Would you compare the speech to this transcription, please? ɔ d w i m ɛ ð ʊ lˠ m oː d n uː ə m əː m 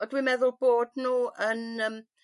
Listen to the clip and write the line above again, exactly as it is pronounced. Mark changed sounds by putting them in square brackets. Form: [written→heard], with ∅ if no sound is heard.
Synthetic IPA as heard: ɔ d w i m ɛ ð ʊ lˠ [m→b] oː d n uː ə [m→n] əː m